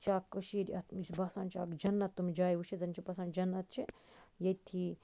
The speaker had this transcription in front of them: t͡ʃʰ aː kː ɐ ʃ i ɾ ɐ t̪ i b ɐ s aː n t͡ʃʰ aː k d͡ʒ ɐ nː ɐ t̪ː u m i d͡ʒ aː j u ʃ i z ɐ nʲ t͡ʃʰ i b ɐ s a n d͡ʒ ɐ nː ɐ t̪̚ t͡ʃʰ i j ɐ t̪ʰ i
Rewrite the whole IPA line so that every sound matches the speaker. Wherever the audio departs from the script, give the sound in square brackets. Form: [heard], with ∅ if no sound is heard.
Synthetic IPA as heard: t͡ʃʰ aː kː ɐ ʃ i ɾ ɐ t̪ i b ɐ s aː n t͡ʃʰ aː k d͡ʒ ɐ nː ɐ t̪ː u m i d͡ʒ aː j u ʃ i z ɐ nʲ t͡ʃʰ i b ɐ s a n d͡ʒ ɐ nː ɐ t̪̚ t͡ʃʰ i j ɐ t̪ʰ i